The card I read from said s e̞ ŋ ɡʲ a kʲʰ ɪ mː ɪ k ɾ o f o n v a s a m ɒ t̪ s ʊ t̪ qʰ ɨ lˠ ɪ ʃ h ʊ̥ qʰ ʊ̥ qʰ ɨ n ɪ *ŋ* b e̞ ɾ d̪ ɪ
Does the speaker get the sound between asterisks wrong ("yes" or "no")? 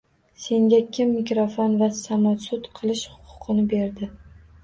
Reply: yes